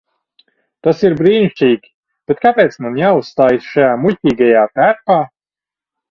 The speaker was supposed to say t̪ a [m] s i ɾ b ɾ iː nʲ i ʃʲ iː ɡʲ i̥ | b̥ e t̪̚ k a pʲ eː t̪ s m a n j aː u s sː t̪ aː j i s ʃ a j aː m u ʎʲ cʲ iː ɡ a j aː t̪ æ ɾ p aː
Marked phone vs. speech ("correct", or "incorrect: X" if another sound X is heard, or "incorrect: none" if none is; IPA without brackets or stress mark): incorrect: none